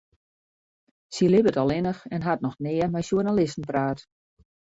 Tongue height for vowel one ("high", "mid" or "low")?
high